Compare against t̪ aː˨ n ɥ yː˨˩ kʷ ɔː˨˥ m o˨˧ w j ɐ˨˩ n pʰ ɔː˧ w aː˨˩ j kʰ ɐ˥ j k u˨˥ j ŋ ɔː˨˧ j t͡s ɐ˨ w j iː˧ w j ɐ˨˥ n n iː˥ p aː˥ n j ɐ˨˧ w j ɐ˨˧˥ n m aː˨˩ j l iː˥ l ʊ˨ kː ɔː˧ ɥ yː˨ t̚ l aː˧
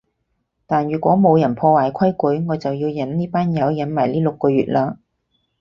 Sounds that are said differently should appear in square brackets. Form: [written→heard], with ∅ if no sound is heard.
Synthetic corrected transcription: t̪ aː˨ n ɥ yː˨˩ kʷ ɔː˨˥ m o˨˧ w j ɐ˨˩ n pʰ ɔː˧ w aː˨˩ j kʰ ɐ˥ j k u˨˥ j ŋ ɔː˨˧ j t͡s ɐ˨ w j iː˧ w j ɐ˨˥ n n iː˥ p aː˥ n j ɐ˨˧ w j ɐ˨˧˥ n m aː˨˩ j l iː˥ l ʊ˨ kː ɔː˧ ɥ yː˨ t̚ l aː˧